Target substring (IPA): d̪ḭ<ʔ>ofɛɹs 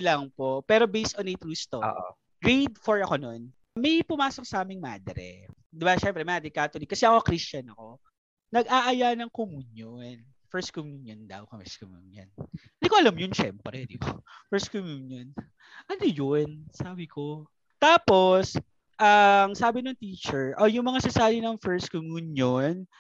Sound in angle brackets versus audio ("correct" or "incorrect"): incorrect